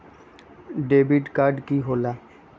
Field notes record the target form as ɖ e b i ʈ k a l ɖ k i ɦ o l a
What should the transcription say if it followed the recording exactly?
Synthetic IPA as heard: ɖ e b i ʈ k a ɾ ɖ k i ɦ o l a